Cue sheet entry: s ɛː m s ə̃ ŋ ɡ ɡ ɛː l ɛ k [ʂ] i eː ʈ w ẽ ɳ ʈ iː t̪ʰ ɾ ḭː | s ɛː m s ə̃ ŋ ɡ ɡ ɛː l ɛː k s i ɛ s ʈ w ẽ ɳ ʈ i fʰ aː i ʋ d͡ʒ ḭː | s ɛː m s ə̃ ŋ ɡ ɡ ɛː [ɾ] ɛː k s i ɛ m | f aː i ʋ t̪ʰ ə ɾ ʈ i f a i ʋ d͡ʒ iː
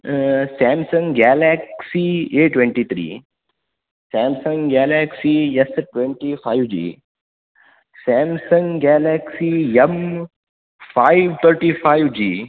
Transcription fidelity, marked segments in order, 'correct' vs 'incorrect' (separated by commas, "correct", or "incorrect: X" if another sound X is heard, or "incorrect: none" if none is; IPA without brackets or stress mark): incorrect: s, incorrect: l